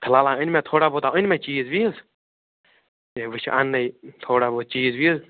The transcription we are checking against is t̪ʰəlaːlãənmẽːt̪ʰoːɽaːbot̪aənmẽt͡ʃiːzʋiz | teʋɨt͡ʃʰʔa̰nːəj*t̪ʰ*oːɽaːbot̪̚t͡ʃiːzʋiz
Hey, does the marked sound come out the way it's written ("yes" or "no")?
yes